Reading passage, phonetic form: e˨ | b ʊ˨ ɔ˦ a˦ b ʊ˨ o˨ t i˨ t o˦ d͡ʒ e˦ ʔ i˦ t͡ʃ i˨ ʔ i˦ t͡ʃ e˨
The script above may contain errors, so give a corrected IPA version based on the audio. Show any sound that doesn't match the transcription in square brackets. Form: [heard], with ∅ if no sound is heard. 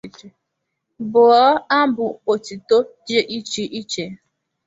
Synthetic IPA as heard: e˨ | b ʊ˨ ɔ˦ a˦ b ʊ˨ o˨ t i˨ t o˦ d͡ʒ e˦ ʔ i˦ t͡ʃ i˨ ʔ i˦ t͡ʃ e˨

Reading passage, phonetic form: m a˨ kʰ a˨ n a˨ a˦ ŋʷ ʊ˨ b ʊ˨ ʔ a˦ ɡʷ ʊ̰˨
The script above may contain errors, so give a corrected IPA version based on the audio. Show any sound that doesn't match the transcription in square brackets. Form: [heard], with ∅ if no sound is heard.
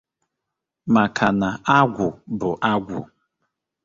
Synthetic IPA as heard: m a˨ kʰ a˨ n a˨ a˦ [ɡʷ] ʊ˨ b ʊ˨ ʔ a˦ ɡʷ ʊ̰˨

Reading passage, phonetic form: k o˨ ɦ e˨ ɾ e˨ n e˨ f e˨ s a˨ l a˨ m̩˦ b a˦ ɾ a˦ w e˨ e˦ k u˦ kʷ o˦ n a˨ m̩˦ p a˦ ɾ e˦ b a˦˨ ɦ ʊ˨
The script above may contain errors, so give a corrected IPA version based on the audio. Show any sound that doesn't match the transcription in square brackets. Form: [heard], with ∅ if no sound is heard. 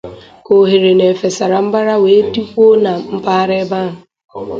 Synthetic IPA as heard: k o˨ ɦ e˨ ɾ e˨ n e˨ f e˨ s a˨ [ɾ] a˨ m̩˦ b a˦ ɾ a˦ w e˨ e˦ [t] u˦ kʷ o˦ n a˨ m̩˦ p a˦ ɾ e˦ b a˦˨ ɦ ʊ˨

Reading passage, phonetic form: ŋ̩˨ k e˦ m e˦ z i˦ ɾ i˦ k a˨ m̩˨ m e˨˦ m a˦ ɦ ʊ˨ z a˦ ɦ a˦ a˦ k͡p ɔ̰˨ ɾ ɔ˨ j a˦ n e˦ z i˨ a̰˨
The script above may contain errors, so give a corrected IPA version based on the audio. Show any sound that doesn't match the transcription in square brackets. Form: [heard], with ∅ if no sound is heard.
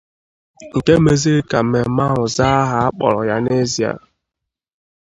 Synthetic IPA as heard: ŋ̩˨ k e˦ m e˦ z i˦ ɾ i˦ k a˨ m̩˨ m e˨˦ m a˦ ɦ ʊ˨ z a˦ ɦ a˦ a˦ k͡p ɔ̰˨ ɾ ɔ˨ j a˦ n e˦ z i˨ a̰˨

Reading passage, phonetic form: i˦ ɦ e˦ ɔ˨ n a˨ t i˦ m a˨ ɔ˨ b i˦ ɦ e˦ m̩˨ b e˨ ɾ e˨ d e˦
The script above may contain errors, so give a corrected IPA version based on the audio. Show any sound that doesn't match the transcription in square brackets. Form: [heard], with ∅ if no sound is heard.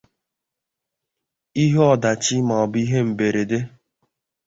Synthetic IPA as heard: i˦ ɦ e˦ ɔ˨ [d] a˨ [t͡ʃ] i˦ m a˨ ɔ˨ b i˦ ɦ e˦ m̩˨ b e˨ ɾ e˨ d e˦

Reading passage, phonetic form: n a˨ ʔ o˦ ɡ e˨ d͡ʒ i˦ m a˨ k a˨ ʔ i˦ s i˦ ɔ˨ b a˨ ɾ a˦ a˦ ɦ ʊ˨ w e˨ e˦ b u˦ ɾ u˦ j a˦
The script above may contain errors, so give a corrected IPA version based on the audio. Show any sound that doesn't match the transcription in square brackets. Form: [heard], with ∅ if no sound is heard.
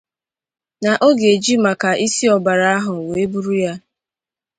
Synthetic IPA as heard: n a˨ ʔ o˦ ɡ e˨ d͡ʒ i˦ m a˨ k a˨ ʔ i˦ s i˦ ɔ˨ b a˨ ɾ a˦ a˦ ɦ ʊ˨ w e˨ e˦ b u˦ ɾ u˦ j a˦

